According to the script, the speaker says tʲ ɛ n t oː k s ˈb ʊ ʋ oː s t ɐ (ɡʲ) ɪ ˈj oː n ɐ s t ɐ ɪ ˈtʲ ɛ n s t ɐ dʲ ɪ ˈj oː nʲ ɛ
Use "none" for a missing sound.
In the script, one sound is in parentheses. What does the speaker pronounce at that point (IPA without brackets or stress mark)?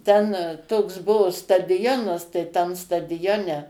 dʲ